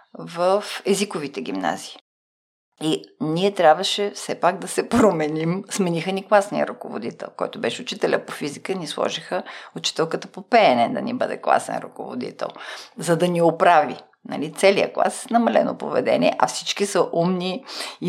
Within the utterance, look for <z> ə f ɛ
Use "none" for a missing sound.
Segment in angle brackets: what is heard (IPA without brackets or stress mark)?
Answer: v